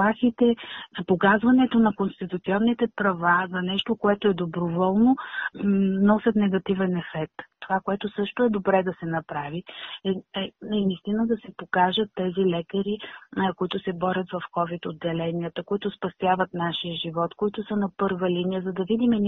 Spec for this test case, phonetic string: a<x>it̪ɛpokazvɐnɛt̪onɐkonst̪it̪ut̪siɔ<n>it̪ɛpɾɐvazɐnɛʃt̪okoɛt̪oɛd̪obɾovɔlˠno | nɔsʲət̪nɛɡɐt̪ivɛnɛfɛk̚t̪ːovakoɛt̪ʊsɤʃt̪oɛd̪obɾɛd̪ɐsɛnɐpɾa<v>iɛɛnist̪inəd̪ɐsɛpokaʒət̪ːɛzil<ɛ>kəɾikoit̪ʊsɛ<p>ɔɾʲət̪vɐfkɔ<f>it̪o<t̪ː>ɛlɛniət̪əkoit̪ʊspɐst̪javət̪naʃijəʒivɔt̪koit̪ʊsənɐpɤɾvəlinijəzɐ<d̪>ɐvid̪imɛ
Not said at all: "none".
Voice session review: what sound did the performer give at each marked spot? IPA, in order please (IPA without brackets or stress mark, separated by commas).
x, nː, v, ɛ, b, v, d̪ː, d̪